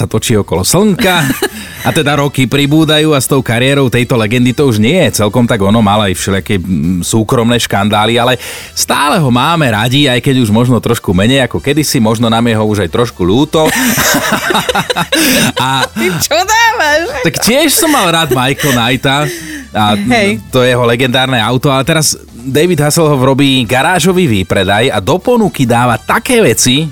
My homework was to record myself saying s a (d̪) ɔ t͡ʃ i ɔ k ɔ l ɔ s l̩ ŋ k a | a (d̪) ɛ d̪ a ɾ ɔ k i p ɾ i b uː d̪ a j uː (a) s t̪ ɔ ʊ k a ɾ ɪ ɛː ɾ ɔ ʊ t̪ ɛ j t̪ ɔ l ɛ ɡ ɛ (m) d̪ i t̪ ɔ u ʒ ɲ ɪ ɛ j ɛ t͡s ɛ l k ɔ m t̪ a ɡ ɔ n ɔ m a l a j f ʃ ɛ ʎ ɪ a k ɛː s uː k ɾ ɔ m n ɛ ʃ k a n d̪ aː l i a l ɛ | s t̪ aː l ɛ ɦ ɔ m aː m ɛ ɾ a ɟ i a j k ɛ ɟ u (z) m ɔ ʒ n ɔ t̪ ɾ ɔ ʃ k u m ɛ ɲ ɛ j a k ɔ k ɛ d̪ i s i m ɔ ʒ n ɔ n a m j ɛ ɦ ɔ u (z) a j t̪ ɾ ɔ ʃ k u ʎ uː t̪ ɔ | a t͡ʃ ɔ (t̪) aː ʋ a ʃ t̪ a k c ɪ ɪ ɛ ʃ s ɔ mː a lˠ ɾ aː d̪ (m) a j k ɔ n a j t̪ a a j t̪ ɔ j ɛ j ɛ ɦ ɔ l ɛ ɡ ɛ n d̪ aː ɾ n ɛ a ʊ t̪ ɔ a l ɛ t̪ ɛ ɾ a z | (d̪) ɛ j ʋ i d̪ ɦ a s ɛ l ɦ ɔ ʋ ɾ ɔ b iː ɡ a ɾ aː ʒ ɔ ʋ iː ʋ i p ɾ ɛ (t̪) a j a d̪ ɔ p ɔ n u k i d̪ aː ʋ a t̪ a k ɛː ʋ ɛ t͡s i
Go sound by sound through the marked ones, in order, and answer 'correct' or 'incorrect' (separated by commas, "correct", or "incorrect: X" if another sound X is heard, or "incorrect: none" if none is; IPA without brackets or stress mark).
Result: incorrect: t̪, incorrect: t̪, correct, incorrect: n, incorrect: ʒ, incorrect: ʒ, incorrect: d̪, correct, correct, incorrect: d̪